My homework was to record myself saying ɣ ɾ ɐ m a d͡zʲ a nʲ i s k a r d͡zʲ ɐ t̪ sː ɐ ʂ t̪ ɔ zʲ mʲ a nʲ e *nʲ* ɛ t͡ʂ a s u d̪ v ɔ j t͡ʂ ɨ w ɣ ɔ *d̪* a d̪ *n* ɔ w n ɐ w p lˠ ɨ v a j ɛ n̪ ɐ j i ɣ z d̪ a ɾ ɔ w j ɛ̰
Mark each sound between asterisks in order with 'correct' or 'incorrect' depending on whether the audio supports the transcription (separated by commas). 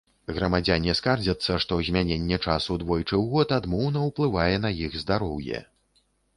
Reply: incorrect, incorrect, incorrect